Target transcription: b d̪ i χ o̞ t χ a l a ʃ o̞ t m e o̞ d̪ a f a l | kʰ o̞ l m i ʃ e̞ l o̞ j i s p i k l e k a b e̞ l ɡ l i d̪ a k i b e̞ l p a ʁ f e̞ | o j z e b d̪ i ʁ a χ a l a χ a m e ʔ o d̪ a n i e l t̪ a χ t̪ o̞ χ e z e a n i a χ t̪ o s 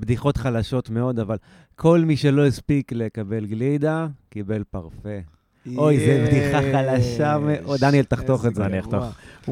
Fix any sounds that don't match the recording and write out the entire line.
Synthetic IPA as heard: b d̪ i χ o̞ t χ a l a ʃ o̞ t m e o̞ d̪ a v a l | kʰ o̞ l m i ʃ e̞ l o̞ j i s p i k l e k a b e̞ l ɡ l i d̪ a k i b e̞ l p a ʁ f e̞ | o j z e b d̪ i χ a χ a l a ʃ a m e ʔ o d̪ a n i e l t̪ a χ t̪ o̞ χ e z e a n i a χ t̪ o χ